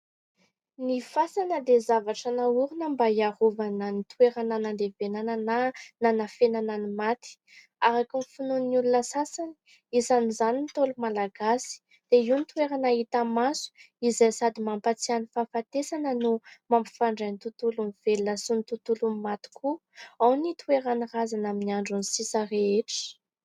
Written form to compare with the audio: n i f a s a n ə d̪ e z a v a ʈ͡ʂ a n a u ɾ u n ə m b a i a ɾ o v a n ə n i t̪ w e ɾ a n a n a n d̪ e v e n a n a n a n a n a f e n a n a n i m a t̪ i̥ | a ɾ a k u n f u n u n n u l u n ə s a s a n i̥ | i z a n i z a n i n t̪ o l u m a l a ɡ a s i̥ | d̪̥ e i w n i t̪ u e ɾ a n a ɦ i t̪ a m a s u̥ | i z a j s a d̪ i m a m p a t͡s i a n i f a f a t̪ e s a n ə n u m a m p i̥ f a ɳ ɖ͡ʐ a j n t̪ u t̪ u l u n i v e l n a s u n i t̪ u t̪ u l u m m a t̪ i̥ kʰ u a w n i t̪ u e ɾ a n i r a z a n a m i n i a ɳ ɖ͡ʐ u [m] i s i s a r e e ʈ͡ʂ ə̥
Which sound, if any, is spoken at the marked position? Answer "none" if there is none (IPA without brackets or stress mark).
n